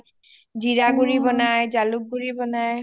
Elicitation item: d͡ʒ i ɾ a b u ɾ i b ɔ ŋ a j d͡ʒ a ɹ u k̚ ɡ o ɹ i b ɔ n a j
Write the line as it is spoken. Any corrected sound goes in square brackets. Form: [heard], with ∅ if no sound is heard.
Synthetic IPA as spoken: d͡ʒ i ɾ a [ɡ] u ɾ i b ɔ [n] a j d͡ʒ a [l] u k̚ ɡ [u] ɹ i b ɔ n a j